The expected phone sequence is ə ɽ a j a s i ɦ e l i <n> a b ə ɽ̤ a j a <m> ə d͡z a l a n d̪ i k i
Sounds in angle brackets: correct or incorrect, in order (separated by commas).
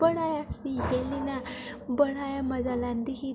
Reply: correct, correct